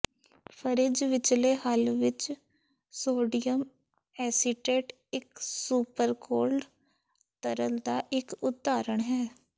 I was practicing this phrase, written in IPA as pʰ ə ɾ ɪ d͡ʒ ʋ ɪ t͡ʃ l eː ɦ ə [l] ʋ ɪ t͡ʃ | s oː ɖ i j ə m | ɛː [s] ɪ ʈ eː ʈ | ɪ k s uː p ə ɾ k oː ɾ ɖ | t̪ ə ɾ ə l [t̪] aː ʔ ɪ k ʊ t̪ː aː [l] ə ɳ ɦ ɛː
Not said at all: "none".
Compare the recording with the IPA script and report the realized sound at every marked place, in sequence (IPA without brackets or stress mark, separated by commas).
l, s, d̪, ɾ